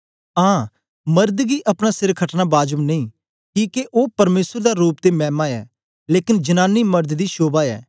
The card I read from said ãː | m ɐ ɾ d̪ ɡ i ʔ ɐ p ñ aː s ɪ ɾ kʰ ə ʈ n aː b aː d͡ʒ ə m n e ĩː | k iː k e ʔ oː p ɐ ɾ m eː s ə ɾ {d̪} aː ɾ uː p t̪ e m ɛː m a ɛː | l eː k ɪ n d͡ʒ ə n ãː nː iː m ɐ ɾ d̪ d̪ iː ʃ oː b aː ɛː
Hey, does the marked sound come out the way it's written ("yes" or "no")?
yes